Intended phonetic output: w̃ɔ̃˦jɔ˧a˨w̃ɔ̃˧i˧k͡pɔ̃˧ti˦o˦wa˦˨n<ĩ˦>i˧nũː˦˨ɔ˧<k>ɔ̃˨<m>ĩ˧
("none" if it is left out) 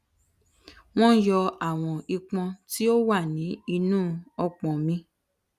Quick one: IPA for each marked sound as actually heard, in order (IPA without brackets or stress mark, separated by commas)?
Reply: ĩ˨˦, k͡p, m